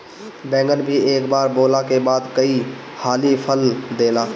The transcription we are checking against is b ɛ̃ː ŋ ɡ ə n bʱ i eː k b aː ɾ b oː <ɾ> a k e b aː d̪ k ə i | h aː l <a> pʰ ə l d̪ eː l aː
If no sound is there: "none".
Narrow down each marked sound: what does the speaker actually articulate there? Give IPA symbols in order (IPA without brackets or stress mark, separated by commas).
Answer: l, i